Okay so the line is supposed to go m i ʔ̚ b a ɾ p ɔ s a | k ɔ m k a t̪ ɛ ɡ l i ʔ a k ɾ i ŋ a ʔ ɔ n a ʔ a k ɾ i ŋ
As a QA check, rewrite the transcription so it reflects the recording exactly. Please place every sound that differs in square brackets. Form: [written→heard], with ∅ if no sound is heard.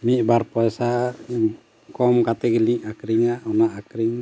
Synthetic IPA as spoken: m i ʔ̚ b a ɾ p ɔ s a | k ɔ m k a t̪ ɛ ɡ l i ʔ a k ɾ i ŋ a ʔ ɔ n a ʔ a k ɾ i ŋ